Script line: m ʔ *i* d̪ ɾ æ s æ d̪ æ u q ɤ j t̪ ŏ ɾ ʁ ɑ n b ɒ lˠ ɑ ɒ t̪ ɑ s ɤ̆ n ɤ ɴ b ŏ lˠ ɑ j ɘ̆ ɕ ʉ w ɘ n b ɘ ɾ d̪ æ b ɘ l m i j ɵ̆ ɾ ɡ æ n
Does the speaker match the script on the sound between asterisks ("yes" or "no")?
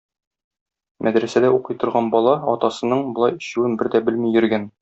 no